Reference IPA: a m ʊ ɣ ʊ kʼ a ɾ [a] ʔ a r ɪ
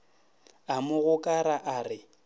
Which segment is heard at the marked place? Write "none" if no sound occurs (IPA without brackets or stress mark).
a